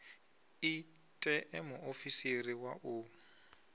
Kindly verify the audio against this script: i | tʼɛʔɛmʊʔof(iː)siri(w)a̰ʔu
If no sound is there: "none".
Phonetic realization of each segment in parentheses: i, w

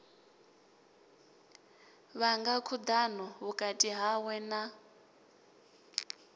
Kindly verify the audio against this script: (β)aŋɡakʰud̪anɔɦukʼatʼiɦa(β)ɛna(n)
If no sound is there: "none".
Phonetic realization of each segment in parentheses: β, w, none

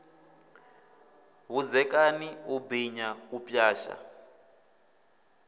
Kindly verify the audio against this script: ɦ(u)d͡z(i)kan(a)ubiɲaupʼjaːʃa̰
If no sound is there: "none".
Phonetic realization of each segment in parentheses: u, ɛ, i

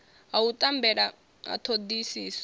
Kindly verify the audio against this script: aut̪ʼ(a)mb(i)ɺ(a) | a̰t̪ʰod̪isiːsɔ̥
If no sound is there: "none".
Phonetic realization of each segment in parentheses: a, ɛ, a

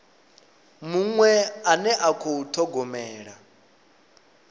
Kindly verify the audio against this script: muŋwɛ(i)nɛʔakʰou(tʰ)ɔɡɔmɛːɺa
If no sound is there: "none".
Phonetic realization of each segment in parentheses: a, tʰ

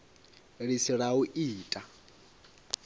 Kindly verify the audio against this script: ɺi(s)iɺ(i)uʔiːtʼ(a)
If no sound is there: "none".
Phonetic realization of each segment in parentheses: s, a, a

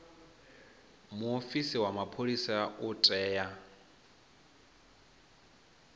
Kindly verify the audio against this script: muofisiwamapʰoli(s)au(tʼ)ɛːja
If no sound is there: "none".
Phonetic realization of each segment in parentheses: s, tʼ

